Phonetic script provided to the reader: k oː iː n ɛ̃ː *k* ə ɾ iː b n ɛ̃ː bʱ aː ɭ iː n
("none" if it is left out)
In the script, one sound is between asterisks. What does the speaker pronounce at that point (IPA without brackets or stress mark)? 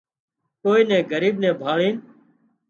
ɡ